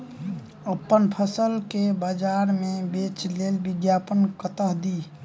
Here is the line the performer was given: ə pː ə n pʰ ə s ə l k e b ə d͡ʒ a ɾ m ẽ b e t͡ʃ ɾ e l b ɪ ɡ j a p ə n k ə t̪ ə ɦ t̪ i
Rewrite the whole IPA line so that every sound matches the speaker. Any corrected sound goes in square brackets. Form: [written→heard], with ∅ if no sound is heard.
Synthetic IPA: ə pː ə n pʰ ə s ə l k e b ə d͡ʒ a ɾ m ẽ b e t͡ʃ [ɾ→l] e l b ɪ ɡ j a p ə n k ə t̪ ə ɦ [t̪→d̪] i